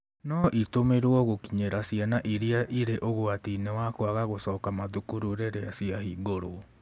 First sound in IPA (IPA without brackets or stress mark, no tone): n